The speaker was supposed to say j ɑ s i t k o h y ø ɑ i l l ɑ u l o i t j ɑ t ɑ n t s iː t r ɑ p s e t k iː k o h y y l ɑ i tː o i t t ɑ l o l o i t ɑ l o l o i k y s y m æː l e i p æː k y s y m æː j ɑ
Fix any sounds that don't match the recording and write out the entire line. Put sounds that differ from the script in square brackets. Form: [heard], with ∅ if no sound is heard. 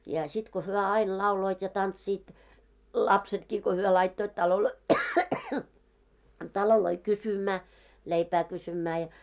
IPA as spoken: j ɑ s i t k o h y ø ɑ i l l ɑ u l o i t j ɑ t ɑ n t s iː t [l] ɑ p s e t k iː k o h y [ø] l ɑ i tː o i t t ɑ l o l o i t ɑ l o l o i k y s y m æː l e i p æː k y s y m æː j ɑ